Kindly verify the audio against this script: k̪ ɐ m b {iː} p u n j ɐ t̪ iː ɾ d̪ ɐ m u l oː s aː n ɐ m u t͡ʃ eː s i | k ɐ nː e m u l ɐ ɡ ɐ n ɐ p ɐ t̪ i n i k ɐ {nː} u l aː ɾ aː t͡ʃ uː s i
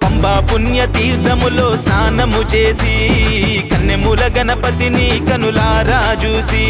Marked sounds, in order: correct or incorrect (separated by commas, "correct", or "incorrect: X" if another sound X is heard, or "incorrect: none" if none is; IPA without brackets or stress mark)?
incorrect: aː, incorrect: n